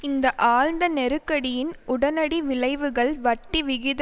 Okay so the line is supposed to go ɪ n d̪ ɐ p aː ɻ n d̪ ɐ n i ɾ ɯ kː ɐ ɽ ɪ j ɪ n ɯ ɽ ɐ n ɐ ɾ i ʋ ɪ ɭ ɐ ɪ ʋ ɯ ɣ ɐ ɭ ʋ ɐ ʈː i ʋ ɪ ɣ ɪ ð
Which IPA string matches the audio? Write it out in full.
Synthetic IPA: ɪ n d̪ ɐ ʔ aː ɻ n d̪ ɐ n ɛ ɾ ɯ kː ɐ ɽ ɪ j ɪ n ʊ ɽ ɐ n ɐ ɽ i ʋ ɪ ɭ ɐ ɪ ʋ ɯ ɣ ɐ ɭ ʋ ɐ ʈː i ʋ ɪ ɣ ɪ ð